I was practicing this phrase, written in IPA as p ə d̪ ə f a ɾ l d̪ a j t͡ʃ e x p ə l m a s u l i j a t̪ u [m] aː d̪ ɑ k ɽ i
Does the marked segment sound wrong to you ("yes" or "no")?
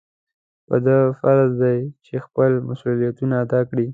yes